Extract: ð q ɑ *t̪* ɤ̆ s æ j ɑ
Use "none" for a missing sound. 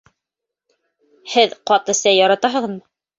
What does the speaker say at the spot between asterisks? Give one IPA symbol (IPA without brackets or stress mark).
t̪